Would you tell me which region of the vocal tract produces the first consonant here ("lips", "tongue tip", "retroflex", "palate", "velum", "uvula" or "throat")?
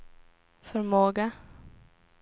lips